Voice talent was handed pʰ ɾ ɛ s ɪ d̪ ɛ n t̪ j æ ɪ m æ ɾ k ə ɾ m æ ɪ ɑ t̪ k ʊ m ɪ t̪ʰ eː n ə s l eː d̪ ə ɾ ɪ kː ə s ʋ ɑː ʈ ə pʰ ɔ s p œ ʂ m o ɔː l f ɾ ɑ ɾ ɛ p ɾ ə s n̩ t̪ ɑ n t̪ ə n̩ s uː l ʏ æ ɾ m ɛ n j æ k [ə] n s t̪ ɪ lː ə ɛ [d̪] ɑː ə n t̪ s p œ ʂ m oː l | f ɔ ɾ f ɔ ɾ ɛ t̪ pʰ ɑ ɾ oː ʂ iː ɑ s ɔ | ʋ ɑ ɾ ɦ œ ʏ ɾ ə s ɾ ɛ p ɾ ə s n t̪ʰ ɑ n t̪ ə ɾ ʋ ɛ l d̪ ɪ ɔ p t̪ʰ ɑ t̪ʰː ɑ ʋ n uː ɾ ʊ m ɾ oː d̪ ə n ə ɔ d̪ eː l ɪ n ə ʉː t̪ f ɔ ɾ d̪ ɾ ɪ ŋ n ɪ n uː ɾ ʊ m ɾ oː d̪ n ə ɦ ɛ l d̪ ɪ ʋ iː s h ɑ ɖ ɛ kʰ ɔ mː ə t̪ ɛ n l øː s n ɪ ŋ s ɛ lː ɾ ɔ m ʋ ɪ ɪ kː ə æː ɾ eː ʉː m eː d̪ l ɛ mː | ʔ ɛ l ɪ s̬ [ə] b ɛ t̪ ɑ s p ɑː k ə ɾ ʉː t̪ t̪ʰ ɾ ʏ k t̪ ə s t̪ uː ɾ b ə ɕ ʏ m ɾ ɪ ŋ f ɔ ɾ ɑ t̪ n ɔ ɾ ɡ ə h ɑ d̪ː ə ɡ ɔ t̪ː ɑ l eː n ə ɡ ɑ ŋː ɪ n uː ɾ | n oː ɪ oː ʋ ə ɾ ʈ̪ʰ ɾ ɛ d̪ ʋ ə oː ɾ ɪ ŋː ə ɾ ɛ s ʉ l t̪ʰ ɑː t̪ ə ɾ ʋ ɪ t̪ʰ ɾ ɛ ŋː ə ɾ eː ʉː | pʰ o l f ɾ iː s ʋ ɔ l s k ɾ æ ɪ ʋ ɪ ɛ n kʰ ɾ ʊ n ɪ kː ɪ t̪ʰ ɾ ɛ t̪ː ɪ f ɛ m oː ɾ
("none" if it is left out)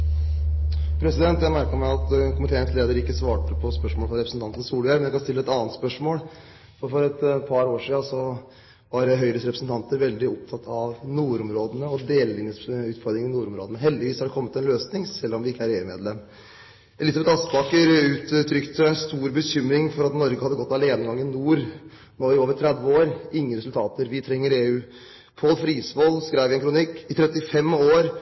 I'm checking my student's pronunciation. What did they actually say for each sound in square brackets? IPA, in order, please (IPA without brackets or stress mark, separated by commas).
ɑ, t̪, ɑ